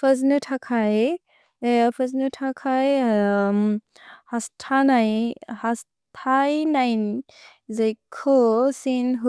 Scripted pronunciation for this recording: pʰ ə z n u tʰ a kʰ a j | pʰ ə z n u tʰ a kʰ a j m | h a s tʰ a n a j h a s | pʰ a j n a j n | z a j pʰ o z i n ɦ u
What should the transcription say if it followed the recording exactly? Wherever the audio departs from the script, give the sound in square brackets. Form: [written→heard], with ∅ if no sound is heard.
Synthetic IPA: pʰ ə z n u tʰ a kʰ a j | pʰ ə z n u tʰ a kʰ a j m | h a s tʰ a n a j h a s | [pʰ→tʰ] a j n a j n | z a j [pʰ→kʰ] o [z→s] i n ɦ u